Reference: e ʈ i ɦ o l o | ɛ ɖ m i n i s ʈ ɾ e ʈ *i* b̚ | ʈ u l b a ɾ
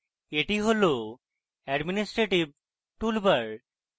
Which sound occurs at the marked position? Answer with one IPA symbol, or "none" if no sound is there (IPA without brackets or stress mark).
i